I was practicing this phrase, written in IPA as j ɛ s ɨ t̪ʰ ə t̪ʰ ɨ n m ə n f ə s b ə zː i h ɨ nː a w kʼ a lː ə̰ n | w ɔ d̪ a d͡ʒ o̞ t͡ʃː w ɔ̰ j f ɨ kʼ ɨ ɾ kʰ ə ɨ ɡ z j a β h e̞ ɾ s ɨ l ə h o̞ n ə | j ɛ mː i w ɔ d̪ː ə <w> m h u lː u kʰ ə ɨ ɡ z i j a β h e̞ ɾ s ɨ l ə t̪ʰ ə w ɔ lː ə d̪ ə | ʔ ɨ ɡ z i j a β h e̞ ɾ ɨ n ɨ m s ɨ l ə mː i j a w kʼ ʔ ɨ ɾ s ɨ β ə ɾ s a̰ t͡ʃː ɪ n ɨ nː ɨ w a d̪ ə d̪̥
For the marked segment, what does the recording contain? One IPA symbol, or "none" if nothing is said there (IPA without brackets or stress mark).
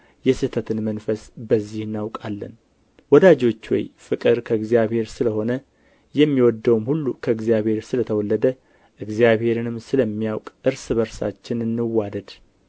w